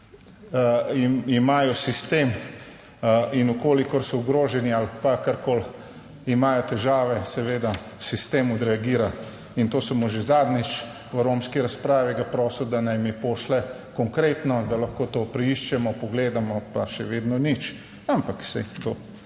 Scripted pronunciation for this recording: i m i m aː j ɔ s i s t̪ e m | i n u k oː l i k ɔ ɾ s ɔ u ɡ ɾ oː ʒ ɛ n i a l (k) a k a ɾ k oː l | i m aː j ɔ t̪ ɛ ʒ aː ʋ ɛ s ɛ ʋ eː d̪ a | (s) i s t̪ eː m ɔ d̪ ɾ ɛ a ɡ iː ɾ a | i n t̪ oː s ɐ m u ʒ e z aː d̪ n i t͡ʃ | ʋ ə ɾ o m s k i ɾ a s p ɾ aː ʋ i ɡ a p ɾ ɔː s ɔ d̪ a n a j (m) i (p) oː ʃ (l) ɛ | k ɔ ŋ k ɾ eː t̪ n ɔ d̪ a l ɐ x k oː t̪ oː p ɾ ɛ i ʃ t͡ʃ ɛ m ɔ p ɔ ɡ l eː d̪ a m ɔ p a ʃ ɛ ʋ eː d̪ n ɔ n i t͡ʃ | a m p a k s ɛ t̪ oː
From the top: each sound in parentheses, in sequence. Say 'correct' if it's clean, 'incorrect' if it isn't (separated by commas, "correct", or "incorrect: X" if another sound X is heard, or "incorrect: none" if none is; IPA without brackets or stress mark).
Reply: incorrect: p, correct, correct, correct, correct